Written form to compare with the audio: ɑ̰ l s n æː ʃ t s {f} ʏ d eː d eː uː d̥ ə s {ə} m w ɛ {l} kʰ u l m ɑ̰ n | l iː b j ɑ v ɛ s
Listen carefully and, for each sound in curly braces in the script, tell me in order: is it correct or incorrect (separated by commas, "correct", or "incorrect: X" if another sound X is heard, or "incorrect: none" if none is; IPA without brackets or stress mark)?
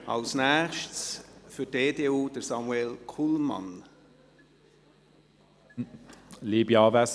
correct, incorrect: ɑ, correct